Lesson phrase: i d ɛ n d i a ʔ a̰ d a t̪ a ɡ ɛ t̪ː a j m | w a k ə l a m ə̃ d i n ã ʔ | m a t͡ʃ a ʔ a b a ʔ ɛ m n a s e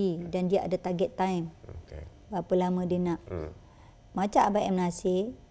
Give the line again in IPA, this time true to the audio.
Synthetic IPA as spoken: i d a n d i a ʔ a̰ d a t̪ a ɡ ɛ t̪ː a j m | b a p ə l a m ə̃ d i n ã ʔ | m a t͡ʃ a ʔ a b a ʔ ɛ m n a s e